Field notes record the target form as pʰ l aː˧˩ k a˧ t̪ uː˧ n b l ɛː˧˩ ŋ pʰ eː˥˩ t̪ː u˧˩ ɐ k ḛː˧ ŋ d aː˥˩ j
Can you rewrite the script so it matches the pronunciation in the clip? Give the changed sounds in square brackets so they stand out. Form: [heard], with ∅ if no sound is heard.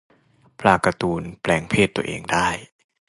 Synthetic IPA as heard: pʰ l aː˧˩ k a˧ t̪ uː˧ n [p] l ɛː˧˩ ŋ pʰ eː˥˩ t̪ː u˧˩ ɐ [ʔ] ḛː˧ ŋ d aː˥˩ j